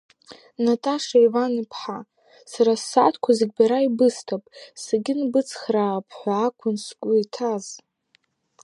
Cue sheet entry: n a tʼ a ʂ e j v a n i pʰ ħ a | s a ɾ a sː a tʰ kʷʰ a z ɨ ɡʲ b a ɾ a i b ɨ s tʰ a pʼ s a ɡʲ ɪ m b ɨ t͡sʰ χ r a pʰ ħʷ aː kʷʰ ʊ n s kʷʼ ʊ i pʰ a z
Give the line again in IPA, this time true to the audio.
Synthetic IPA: n a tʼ a ʂ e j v a n i pʰ ħ a | s a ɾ a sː a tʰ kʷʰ a z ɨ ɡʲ b a ɾ a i b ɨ s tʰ a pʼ s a ɡʲ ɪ n b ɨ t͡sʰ χ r a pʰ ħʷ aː kʷʰ ʊ n s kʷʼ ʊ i tʰ a z